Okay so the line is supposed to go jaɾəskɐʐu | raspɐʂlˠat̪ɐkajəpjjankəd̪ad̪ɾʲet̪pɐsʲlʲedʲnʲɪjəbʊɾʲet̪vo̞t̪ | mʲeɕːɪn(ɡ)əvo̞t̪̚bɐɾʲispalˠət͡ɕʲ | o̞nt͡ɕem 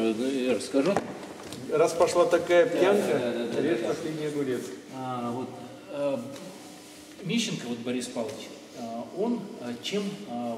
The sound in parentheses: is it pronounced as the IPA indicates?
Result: no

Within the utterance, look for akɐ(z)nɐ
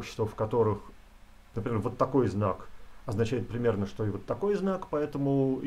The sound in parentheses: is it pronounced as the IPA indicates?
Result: yes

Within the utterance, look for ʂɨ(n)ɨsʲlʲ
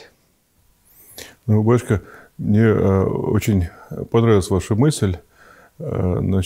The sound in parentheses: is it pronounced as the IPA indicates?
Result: no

